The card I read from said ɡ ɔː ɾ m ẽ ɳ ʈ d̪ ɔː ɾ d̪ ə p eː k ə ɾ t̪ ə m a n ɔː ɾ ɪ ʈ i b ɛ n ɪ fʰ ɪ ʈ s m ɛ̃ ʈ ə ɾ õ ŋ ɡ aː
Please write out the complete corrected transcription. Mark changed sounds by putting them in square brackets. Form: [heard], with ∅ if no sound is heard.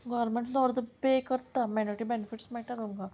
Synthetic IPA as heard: ɡ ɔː ɾ m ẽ ɳ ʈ d̪ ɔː ɾ d̪ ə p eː k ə ɾ t̪ [a] m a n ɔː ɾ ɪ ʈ i b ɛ n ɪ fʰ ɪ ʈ s m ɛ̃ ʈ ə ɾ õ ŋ ɡ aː